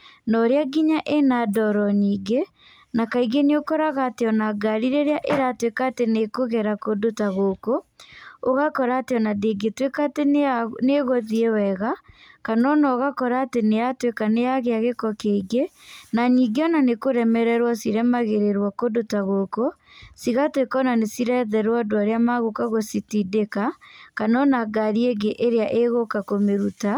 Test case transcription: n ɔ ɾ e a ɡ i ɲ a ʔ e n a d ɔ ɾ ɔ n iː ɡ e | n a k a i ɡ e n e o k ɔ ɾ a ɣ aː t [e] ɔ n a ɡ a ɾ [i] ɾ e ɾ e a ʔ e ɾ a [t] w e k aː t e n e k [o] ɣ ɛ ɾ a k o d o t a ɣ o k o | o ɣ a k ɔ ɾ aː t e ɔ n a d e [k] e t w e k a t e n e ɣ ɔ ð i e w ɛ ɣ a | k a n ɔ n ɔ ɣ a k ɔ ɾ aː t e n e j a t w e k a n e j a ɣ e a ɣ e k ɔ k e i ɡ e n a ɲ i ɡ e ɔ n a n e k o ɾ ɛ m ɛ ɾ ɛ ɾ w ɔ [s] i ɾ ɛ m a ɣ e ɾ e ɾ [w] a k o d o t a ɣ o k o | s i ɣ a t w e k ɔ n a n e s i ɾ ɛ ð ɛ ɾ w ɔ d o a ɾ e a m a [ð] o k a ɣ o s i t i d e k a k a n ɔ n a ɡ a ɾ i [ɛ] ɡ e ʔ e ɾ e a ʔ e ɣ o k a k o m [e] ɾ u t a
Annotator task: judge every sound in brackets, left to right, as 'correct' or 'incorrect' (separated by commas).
correct, correct, correct, correct, incorrect, correct, correct, incorrect, incorrect, correct